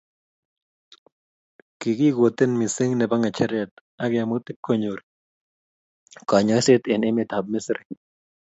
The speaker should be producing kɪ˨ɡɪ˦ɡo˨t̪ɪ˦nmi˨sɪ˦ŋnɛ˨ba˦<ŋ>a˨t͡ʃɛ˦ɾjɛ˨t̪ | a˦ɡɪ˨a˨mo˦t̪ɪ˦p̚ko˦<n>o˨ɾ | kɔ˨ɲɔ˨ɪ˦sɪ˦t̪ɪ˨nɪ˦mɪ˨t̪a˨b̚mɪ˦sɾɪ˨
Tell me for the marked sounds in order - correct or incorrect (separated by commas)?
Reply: correct, incorrect